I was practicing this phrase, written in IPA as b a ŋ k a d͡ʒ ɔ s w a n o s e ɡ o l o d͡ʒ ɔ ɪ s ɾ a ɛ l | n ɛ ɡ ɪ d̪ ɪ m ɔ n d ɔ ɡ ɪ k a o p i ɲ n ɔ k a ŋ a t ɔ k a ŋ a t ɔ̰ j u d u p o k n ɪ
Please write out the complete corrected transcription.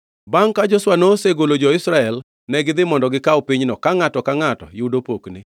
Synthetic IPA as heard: b a ŋ k a d͡ʒ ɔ s w a n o s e ɡ o l o d͡ʒ ɔ ɪ s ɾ a ɛ l | n ɛ ɡ ɪ d̪ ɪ m ɔ n d ɔ ɡ ɪ k a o p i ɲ n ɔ k a ŋ a t ɔ k a ŋ a t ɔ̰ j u d o p o k n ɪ